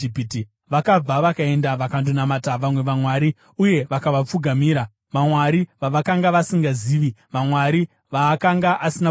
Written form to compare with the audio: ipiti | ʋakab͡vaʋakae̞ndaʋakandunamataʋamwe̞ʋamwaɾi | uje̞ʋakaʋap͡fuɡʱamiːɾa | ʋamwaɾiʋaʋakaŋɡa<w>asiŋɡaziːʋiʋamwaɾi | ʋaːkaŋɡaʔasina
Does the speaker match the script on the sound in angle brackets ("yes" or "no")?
no